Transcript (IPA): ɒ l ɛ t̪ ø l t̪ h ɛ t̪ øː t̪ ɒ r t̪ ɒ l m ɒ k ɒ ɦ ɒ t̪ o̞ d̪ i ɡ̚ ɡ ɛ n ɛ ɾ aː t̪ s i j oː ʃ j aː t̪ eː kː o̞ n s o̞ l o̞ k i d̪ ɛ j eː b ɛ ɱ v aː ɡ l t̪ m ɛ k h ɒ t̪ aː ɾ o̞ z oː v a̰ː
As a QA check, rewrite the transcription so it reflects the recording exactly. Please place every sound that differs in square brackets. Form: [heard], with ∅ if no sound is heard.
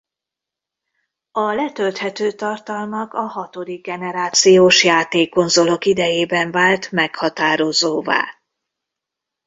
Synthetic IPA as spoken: ɒ l ɛ t̪ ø l t̪ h ɛ t̪ øː t̪ ɒ r t̪ ɒ l m ɒ k ɒ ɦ ɒ t̪ o̞ d̪ i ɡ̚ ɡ ɛ n ɛ ɾ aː t̪ s i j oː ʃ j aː t̪ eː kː o̞ n [z] o̞ l o̞ k i d̪ ɛ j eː b ɛ ɱ v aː [∅] l t̪ m ɛ k h ɒ t̪ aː ɾ o̞ z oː v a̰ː